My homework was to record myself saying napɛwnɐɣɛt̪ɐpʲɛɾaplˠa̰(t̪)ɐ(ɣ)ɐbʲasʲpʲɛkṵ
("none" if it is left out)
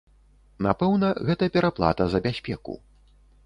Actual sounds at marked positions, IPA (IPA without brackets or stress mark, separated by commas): t̪, z